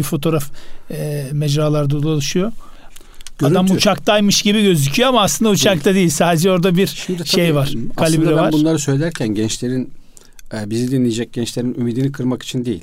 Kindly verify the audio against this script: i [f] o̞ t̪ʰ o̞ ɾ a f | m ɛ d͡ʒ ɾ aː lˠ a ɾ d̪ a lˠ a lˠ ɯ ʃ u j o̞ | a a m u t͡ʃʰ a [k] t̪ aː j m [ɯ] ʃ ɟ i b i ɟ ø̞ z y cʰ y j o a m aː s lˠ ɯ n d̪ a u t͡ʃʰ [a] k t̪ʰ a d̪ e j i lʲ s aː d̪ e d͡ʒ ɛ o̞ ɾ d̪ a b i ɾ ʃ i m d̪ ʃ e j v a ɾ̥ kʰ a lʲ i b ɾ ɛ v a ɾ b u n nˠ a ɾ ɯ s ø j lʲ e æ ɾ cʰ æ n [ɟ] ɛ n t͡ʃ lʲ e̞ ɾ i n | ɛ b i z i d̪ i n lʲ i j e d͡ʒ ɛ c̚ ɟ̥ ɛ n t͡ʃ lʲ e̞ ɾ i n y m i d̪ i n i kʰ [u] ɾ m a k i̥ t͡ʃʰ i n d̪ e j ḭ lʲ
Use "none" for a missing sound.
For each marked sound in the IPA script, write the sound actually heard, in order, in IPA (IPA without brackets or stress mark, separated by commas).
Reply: f, k, ɯ, a, ɟ, ɯ